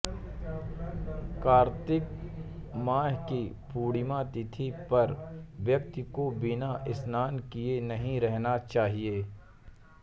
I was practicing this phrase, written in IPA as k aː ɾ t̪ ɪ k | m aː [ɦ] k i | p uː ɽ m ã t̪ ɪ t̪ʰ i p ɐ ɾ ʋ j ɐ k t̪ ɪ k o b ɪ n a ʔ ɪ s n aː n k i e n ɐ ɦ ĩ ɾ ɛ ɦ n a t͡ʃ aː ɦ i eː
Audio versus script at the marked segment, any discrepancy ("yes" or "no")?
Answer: no